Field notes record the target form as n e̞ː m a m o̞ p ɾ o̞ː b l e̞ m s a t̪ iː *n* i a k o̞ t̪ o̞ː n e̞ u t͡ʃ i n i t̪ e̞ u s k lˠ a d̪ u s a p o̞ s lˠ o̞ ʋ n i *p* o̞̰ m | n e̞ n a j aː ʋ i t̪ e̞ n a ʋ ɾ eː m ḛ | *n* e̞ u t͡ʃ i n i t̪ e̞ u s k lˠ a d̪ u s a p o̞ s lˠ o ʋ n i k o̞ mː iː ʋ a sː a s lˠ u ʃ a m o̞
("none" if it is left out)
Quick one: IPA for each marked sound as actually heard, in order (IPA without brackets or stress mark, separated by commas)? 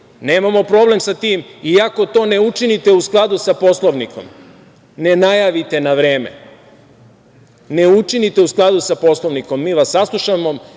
m, k, n